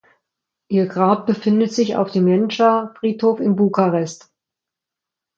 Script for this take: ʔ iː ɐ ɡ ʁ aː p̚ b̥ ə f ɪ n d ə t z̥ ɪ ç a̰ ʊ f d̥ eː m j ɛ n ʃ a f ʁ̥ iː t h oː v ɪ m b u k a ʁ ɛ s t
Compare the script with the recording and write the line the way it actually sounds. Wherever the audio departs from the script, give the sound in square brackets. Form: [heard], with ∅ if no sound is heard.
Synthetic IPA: ʔ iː ɐ ɡ ʁ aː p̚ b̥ ə f ɪ n d ə t z̥ ɪ ç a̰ ʊ f d̥ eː m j ɛ n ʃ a f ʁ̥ iː t h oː [f] ɪ m b u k a ʁ ɛ s t